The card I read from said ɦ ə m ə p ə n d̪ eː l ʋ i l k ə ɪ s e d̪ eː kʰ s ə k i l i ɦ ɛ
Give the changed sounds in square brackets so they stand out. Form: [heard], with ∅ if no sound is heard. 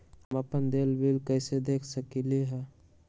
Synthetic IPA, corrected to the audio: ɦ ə m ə p ə n d̪ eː l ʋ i l k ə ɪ s e d̪ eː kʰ s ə k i l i ɦ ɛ

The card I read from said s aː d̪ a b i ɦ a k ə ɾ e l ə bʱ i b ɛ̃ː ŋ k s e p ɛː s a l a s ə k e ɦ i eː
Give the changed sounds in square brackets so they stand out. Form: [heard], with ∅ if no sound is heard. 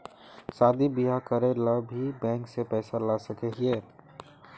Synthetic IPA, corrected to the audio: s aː d̪ [i] b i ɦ a k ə ɾ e l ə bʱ i b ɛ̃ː ŋ k s e p ɛː s a l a s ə k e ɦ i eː

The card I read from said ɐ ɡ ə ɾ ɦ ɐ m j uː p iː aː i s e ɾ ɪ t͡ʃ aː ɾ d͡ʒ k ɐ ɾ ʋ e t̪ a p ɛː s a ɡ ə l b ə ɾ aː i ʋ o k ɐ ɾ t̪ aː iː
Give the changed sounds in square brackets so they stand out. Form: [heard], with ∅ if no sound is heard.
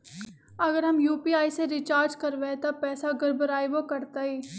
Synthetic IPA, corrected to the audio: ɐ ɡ ə ɾ ɦ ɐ m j uː p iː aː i s e ɾ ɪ t͡ʃ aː ɾ d͡ʒ k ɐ ɾ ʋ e t̪ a p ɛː s a ɡ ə [ɾ] b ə ɾ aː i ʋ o k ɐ ɾ t̪ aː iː

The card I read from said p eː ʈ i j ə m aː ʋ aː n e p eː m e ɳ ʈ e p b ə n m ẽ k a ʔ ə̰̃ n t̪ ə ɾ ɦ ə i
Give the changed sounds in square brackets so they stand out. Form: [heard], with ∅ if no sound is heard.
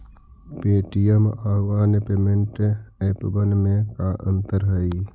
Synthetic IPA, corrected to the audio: p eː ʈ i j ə m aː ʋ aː n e p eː m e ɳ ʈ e p b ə n m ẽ k a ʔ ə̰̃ n t̪ ə ɾ ɦ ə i

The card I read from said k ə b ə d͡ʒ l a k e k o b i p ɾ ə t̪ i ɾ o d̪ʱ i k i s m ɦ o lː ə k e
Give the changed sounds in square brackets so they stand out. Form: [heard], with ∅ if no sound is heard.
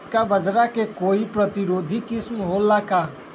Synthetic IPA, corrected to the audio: k [a] b ə d͡ʒ [ɾ] a k e k o [∅] i p ɾ ə t̪ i ɾ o d̪ʱ i k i s m ɦ o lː [a] k [a]

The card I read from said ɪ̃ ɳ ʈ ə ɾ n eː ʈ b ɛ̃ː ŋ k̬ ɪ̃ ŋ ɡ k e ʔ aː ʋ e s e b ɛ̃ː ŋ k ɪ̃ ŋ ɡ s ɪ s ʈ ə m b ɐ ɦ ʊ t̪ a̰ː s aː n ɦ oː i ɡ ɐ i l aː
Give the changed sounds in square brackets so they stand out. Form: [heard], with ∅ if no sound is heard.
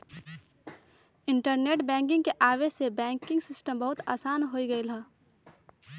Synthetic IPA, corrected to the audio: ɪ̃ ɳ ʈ ə ɾ n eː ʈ b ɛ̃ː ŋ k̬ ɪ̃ ŋ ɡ k e ʔ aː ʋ e s e b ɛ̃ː ŋ k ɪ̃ ŋ ɡ s ɪ s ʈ ə m b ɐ ɦ ʊ t̪ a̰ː s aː n ɦ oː i ɡ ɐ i l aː

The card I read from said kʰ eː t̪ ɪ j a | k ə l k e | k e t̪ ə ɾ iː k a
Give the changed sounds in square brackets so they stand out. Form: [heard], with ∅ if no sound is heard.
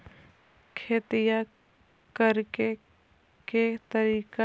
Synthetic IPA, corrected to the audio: kʰ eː t̪ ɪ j a | k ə [ɾ] k e | k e t̪ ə ɾ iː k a

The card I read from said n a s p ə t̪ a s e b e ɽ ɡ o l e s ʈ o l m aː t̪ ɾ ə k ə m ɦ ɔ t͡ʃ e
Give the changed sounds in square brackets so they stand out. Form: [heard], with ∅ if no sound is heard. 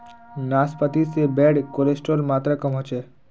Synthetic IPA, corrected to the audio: n a s p ə t̪ [i] s e b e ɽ [k] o l e s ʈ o l m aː t̪ ɾ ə k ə m ɦ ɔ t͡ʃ e

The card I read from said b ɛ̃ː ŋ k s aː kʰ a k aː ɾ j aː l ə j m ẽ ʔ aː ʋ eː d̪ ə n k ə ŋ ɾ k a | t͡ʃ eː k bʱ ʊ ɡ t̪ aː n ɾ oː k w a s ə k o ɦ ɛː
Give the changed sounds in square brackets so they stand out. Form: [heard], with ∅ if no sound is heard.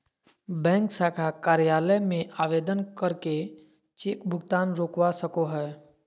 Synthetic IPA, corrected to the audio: b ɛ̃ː ŋ k s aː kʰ a k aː ɾ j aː l ə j m ẽ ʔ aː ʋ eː d̪ ə n k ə [∅] ɾ k [e] | t͡ʃ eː k bʱ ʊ ɡ t̪ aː n ɾ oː k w a s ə k o ɦ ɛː

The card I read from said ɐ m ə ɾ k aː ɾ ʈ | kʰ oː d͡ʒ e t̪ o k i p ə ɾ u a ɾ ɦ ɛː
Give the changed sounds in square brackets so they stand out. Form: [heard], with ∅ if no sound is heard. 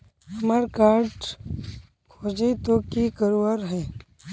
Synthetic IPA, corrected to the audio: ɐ m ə ɾ k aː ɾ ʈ | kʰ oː d͡ʒ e t̪ o k i [k] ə ɾ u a ɾ ɦ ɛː

